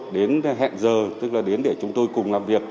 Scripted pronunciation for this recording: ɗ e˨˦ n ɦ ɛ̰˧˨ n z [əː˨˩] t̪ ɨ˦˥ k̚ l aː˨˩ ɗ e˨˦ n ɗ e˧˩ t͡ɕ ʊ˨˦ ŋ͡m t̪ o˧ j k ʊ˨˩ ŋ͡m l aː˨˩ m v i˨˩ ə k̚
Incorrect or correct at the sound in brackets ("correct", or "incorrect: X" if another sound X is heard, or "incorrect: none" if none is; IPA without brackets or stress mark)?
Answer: correct